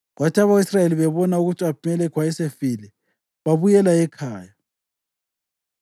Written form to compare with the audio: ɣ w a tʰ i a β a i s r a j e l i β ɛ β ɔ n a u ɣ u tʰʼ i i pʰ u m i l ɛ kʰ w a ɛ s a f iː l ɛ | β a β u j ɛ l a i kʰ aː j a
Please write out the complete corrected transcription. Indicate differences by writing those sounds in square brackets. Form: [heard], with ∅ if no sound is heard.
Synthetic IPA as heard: ɣ w a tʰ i a β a i s r a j e l i β ɛ β ɔ n a u ɣ u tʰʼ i [a] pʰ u m [ɛ] l ɛ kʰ w a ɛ s [e] f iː l ɛ | β a β u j ɛ l a [ɛ] kʰ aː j a